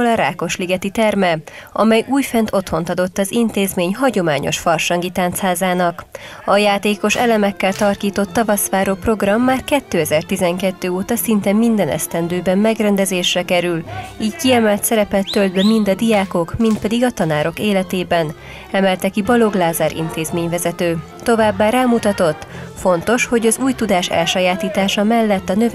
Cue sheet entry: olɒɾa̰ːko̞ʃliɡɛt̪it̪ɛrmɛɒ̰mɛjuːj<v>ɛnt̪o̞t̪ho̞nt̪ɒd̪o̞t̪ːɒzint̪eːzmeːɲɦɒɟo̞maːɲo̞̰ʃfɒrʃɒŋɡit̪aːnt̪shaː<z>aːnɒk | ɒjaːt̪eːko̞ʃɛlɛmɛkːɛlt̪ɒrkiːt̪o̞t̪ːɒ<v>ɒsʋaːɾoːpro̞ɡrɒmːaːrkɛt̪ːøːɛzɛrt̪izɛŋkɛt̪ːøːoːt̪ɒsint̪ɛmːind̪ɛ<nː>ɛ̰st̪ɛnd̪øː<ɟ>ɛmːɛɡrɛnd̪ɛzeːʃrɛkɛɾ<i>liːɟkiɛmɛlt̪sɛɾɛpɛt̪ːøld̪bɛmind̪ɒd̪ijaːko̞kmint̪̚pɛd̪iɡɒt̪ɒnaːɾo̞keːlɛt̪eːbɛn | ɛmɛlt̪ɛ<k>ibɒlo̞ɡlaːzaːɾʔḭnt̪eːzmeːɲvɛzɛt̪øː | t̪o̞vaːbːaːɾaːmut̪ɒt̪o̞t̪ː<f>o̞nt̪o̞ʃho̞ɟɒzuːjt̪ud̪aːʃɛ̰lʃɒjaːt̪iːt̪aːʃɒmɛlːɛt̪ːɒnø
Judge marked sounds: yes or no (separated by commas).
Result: no, yes, yes, no, no, no, yes, yes